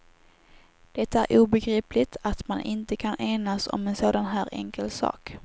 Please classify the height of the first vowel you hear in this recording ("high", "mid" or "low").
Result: mid